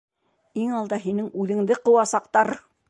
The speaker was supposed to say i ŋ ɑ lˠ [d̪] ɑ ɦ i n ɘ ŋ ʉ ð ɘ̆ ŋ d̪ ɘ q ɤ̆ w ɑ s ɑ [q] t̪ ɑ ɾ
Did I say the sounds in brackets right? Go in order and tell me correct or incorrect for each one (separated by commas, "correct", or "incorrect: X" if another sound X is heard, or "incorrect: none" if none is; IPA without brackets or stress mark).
correct, correct